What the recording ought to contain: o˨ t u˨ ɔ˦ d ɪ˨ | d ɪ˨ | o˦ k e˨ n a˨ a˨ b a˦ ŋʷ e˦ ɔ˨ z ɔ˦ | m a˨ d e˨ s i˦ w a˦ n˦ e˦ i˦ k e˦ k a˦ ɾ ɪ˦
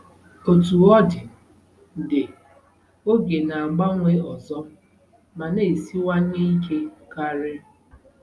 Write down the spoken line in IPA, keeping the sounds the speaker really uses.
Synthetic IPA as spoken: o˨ t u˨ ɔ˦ d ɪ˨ | d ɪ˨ | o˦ ɡ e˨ n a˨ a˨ ɡ͡b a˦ ŋʷ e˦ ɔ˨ z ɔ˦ | m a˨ n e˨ s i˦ w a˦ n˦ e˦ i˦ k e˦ k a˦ ɾ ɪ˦